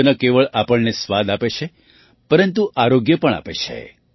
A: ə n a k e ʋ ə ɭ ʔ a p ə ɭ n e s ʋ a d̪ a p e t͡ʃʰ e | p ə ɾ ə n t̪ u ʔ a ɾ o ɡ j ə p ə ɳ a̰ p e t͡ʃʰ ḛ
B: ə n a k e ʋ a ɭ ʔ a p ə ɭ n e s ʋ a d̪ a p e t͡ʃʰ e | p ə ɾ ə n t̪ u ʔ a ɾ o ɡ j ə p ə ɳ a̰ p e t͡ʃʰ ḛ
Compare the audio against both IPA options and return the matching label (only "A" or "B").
A